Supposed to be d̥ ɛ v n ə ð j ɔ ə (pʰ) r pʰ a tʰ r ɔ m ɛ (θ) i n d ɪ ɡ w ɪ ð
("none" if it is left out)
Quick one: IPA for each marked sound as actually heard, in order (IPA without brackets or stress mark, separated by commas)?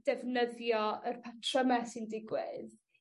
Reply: none, s